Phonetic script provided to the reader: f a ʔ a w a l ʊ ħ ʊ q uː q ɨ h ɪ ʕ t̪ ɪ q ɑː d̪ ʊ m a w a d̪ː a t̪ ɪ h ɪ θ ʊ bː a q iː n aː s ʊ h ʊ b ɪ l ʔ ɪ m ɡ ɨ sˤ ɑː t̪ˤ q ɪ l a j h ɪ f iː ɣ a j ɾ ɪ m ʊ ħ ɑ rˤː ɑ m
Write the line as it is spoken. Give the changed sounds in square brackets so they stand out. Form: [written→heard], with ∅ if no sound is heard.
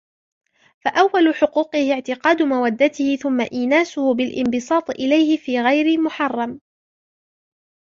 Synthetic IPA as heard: f a ʔ a [w→wː] a l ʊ ħ ʊ q uː q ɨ h ɪ ʕ t̪ ɪ q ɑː d̪ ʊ m a w a d̪ː a t̪ ɪ h ɪ θ ʊ [bː→mː] a [q→ʔ] iː n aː s ʊ h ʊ b ɪ l ʔ ɪ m [ɡ→b] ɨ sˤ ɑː t̪ˤ [q→ʔ] ɪ l a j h ɪ f iː ɣ a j ɾ ɪ m ʊ ħ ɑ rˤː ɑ m